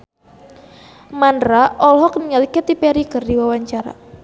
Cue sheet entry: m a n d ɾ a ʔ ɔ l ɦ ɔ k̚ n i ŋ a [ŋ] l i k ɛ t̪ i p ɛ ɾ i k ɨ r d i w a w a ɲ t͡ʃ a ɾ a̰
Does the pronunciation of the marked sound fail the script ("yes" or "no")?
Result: yes